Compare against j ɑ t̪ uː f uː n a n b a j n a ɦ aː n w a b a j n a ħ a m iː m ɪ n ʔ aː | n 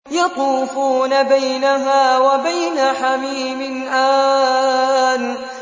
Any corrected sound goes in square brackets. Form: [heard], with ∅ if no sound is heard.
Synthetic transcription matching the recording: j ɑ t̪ uː f uː n a [∅] b a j n a ɦ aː [∅] w a b a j n a ħ a m iː m ɪ n ʔ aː | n